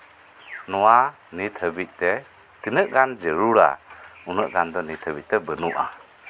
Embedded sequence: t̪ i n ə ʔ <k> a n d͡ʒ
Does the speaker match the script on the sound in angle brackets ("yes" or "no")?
no